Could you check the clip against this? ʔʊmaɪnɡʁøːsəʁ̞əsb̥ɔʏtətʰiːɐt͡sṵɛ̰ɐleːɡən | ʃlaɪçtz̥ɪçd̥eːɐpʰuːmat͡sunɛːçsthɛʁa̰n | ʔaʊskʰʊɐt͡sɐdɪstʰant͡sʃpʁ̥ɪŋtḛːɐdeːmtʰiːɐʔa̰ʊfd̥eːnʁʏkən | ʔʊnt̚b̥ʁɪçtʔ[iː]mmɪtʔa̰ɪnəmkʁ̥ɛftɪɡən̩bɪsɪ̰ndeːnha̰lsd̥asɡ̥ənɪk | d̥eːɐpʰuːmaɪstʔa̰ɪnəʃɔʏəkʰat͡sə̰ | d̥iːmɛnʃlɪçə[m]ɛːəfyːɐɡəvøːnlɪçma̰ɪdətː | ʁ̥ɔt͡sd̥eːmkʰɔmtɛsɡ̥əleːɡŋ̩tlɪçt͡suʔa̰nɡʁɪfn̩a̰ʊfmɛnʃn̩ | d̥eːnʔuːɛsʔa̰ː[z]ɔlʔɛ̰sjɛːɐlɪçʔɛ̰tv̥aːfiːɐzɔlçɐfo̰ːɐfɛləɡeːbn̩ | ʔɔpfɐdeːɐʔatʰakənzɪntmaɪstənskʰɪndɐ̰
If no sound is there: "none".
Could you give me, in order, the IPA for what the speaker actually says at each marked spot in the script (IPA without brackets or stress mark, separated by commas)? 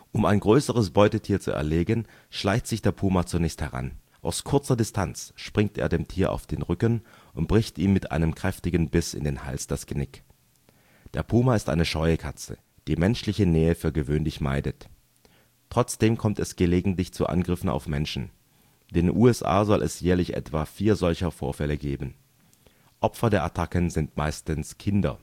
iː, n, z